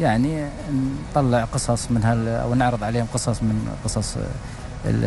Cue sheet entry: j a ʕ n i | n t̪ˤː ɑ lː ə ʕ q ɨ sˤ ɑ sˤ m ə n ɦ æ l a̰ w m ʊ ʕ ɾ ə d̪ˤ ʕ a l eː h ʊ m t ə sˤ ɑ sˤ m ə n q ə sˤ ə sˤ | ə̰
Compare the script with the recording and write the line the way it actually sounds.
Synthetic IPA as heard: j a ʕ n i | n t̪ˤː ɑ lː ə ʕ q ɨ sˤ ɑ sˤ m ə n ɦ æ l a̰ w n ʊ ʕ ɾ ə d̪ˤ ʕ a l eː h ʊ m q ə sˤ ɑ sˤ m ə n q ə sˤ ɑ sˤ | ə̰